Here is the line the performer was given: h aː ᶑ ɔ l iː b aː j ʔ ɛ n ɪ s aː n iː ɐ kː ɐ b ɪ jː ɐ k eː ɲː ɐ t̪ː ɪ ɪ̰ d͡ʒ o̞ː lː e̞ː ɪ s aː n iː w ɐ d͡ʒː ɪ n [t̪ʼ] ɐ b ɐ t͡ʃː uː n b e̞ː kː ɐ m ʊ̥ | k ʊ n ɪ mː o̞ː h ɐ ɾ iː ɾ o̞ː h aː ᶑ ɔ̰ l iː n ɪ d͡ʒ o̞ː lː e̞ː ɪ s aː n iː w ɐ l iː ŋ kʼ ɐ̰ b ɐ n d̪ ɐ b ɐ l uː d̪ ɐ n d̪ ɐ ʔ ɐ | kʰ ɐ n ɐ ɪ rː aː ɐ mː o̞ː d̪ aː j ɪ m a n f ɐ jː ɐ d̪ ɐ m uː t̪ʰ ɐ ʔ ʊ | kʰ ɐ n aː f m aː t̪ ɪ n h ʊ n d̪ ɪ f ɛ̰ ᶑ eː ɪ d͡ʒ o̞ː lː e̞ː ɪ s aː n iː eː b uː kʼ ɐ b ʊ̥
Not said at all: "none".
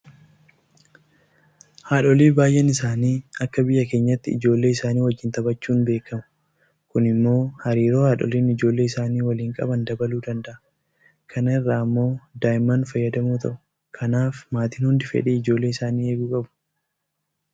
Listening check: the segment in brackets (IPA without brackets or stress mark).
t̪